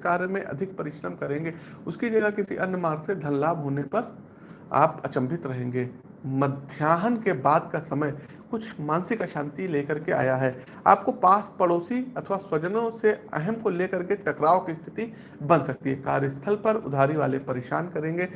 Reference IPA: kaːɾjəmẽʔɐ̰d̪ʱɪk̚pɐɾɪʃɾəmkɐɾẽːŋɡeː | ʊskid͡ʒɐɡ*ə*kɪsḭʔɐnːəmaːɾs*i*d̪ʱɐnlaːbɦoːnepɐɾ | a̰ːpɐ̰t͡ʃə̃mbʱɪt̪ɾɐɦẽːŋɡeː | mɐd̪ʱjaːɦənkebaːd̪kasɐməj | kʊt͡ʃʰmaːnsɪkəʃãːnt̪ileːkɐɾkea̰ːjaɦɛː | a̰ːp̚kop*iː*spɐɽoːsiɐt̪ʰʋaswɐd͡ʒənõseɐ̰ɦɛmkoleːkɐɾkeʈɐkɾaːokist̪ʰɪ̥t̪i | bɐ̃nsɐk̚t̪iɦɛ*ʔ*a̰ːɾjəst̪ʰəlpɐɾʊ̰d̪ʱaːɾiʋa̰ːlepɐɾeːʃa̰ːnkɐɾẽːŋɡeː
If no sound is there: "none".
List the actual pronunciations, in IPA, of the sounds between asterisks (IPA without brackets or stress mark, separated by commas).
a, e, aː, k